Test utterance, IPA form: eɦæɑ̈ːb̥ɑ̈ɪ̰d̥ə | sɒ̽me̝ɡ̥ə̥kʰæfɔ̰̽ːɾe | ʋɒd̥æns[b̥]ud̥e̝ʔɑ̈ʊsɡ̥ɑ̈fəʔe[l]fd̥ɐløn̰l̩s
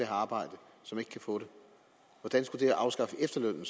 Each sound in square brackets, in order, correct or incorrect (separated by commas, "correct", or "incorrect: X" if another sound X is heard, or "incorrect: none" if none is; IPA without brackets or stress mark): incorrect: ɡ̥, incorrect: none